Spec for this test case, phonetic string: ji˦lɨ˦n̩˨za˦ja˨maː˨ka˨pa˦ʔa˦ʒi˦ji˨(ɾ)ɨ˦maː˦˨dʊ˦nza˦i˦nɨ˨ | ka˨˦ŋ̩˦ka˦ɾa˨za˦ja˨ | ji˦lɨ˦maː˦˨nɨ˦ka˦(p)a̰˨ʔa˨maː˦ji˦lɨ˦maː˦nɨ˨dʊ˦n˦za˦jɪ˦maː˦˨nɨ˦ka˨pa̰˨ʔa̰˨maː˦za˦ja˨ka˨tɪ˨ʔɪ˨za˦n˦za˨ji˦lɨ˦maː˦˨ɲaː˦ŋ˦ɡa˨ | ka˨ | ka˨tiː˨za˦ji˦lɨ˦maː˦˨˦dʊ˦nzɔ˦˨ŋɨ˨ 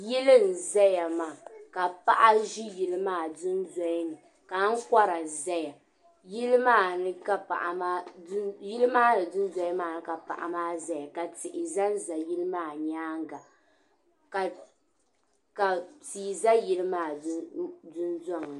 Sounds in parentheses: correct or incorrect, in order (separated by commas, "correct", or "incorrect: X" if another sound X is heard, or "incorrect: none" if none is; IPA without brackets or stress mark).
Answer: incorrect: l, correct